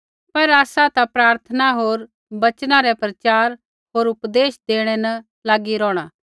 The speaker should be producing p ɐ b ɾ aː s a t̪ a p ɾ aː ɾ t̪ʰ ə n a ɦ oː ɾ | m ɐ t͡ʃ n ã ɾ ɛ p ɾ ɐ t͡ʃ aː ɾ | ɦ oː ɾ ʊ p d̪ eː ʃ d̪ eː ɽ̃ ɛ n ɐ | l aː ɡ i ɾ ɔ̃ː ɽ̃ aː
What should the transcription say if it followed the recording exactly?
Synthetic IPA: p ɐ ɾ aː s a t̪ a p ɾ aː ɾ t̪ʰ ə n a ɦ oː ɾ | b ɐ t͡ʃ n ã ɾ ɛ p ɾ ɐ t͡ʃ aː ɾ | ɦ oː ɾ ʊ p d̪ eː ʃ d̪ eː ɽ̃ ɛ n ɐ | l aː ɡ i ɾ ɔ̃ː ɽ̃ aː